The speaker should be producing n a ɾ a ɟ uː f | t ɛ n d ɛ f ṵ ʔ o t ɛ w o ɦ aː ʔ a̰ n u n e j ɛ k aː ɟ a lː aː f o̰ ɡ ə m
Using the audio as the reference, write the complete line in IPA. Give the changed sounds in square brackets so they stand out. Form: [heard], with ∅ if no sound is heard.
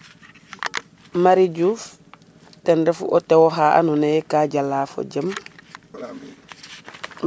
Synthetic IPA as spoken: [m] a ɾ [i] ɟ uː f | t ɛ n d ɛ f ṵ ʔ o t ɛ w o ɦ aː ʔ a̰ n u n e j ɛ k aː ɟ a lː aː f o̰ [ɟ] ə m